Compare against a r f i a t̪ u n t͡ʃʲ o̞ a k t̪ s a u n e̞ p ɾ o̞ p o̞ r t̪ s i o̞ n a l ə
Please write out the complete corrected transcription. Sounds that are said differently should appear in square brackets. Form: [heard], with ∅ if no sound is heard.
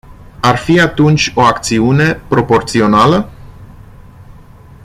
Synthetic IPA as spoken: a r f i a t̪ u n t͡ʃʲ o̞ a k t̪ s [i] u n e̞ p ɾ o̞ p o̞ r t̪ s i o̞ n a l ə